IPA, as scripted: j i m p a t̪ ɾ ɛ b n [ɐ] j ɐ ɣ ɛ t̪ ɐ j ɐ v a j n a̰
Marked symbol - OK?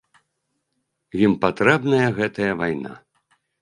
yes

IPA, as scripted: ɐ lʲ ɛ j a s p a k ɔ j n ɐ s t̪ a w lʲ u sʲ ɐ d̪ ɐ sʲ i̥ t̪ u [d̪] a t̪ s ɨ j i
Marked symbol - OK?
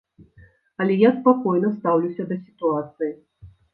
no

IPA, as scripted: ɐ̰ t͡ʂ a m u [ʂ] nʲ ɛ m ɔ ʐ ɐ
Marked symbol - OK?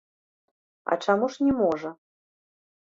yes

